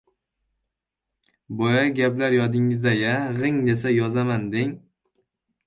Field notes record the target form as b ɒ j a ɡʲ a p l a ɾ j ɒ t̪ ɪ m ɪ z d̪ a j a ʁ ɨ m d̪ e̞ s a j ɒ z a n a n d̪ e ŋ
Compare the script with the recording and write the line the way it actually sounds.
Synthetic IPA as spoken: b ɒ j a ɡʲ a p l a ɾ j ɒ d̪ ɪ ŋ ɪ z d̪ a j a ʁ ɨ ŋ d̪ e̞ s a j ɒ z a m a n d̪ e ŋ